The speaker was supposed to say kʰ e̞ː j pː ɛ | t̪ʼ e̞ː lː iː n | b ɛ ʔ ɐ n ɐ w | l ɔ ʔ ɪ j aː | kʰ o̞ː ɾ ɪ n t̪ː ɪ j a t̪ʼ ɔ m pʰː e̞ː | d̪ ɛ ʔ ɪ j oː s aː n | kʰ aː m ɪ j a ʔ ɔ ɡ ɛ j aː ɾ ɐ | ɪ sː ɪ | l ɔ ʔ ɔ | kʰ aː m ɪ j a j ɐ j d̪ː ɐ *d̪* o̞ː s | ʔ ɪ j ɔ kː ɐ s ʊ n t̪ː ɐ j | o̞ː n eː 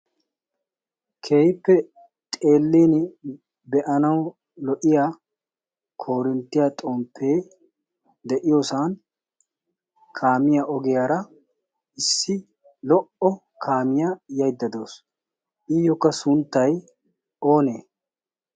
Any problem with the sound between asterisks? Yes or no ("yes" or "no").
no